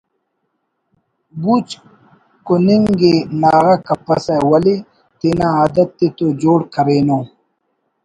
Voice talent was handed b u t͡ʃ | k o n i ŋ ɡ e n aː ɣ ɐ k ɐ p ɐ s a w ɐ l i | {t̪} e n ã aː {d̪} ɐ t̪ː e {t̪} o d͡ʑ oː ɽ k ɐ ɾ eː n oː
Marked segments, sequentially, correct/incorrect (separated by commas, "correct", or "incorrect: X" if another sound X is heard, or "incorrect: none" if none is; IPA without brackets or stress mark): correct, correct, correct